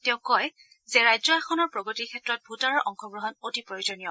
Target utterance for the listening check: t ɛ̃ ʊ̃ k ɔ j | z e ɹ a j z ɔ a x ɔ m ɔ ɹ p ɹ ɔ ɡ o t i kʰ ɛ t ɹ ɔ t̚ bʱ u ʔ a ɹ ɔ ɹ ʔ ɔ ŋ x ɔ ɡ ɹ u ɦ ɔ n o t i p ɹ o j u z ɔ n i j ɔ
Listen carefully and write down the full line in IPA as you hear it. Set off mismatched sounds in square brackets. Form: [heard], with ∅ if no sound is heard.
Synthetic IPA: t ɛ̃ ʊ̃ k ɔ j | z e ɹ a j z ɔ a x ɔ [n] ɔ ɹ p ɹ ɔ ɡ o t i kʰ ɛ t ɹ ɔ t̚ bʱ u [t] a ɹ ɔ ɹ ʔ ɔ ŋ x ɔ ɡ ɹ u ɦ ɔ n o t i p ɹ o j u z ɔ n i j ɔ